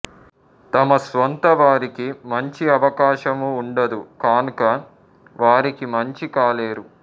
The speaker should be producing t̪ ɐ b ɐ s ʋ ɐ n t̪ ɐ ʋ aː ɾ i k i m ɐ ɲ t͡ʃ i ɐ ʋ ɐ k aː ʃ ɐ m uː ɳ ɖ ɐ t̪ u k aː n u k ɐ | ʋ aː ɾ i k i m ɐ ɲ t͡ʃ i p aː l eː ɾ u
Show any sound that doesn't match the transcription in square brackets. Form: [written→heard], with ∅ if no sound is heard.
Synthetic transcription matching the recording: t̪ ɐ [b→m] ɐ s ʋ ɐ n t̪ ɐ ʋ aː ɾ i k i m ɐ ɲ t͡ʃ i ɐ ʋ ɐ k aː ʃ ɐ m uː ɳ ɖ ɐ [t̪→d̪] u k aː n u k ɐ | ʋ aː ɾ i k i m ɐ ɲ t͡ʃ i [p→k] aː l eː ɾ u